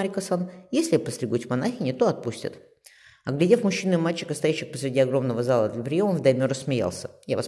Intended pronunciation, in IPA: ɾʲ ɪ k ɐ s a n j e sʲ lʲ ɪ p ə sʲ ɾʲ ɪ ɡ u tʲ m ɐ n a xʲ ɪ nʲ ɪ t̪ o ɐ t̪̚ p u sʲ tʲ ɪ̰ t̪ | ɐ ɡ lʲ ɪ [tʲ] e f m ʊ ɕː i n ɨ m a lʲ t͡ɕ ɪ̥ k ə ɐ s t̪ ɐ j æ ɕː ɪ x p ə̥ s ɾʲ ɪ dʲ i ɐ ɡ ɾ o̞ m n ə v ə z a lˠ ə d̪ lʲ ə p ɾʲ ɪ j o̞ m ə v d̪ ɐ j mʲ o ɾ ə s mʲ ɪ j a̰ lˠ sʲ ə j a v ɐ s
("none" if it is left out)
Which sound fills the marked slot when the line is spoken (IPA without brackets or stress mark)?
dʲ